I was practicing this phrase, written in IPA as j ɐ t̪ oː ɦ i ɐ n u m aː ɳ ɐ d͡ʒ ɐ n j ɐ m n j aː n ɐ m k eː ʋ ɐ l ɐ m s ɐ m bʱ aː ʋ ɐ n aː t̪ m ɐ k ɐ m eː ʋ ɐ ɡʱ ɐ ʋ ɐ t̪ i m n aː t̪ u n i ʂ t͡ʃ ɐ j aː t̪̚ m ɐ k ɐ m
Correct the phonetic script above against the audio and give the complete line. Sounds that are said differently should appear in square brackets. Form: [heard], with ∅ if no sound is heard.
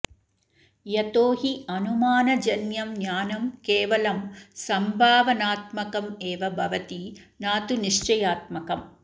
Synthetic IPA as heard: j ɐ t̪ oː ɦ i ɐ n u m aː [n] ɐ d͡ʒ ɐ n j ɐ m n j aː n ɐ m k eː ʋ ɐ l ɐ m s ɐ m bʱ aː ʋ ɐ n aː t̪ m ɐ k ɐ m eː ʋ ɐ [bʱ] ɐ ʋ ɐ t̪ i [∅] n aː t̪ u n i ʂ t͡ʃ ɐ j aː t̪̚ m ɐ k ɐ m